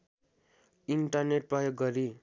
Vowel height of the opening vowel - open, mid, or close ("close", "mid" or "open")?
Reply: close